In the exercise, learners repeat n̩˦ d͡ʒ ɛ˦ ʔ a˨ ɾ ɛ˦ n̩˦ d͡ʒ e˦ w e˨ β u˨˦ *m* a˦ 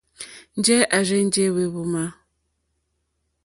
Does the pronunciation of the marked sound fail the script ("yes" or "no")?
no